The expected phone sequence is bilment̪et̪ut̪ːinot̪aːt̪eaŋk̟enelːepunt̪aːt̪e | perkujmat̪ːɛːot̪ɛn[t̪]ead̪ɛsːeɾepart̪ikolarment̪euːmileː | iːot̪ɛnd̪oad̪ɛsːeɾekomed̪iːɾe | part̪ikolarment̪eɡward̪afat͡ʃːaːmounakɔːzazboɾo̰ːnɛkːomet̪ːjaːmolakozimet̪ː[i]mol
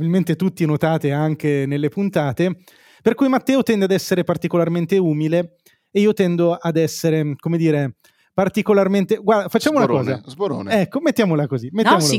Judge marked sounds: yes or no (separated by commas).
no, no